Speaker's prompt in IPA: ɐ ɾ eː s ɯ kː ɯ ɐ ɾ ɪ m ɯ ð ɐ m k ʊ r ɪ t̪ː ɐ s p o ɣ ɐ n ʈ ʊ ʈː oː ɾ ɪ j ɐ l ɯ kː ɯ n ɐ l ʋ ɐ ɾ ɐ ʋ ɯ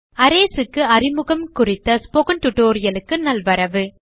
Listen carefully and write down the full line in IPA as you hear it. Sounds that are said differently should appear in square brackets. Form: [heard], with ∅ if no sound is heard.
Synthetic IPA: ɐ ɾ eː s ɯ kː ɯ ɐ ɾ ɪ m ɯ [ɣ] ɐ m k ʊ r ɪ t̪ː ɐ s p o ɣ ɐ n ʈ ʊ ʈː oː ɾ ɪ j ɐ l ɯ kː ɯ n ɐ l ʋ ɐ ɾ ɐ ʋ ɯ